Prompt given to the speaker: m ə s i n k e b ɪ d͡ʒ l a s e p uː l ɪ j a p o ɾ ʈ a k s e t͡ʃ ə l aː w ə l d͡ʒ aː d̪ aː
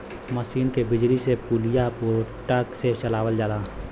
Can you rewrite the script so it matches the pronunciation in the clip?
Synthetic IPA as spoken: m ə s iː n k e b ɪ d͡ʒ l i s e p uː l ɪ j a p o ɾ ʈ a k s e t͡ʃ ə l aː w ə l d͡ʒ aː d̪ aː